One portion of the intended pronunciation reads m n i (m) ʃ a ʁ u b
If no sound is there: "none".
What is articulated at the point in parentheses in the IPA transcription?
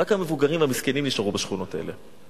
none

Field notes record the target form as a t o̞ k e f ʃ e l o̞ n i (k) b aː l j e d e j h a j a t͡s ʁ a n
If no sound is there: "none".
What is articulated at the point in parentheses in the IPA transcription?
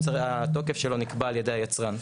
k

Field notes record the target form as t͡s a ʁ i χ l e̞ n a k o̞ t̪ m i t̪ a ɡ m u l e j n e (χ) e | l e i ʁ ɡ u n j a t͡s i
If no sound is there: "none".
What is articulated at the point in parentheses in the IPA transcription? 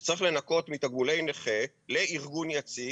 χ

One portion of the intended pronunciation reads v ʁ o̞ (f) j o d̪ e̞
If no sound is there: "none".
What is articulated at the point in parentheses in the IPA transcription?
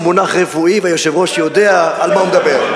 ʃ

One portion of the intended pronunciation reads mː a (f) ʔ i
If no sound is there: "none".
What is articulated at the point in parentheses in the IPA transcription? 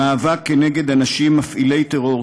f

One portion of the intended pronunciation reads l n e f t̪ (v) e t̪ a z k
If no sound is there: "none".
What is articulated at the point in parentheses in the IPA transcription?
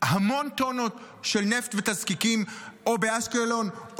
v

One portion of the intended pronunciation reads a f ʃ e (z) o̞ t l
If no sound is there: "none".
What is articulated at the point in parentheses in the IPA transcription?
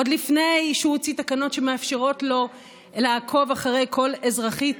ʁ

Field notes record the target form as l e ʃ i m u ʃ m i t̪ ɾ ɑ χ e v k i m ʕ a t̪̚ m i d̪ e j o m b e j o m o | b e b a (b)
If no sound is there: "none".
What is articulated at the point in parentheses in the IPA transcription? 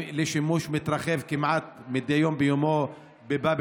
b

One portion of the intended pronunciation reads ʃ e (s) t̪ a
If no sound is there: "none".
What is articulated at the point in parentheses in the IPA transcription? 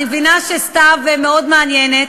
s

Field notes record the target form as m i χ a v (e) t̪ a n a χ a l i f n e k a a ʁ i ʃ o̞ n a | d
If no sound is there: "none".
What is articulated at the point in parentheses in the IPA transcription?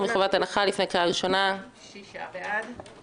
a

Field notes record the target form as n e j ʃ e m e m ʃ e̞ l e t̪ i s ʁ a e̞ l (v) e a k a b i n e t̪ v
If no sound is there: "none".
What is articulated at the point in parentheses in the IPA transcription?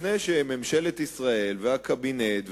v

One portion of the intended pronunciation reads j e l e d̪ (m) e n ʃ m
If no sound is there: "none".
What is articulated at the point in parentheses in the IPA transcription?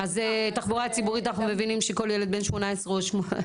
b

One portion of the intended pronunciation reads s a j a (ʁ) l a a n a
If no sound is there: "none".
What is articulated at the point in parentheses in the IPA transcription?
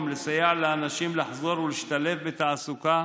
ʕ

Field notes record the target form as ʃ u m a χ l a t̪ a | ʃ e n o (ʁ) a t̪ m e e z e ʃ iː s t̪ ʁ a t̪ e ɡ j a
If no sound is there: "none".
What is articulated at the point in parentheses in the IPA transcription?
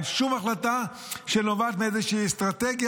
v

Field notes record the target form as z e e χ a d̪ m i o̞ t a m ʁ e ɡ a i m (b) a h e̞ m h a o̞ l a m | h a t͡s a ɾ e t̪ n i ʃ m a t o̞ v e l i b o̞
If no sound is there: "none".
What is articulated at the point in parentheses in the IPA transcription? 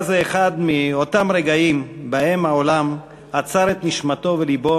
b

